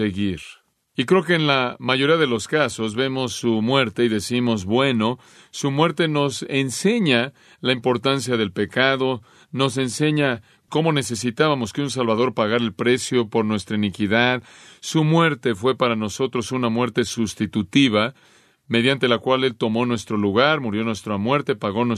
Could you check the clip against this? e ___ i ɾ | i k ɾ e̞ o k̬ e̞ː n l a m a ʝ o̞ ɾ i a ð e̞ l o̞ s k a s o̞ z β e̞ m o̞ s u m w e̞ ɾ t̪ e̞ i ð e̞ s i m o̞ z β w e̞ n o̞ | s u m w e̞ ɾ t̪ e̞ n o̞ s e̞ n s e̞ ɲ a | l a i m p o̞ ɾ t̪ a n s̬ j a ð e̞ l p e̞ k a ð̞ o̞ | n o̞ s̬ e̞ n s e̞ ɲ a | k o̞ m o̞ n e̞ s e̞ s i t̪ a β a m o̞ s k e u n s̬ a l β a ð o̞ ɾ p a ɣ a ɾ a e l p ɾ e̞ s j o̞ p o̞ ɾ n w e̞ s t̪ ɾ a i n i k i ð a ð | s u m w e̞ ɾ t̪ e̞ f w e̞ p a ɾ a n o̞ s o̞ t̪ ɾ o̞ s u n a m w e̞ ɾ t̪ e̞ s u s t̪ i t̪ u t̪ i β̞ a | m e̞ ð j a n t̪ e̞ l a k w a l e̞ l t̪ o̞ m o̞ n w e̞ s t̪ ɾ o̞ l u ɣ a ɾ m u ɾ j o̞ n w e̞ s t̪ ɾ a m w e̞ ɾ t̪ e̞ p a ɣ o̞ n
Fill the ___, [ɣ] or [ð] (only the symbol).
ɣ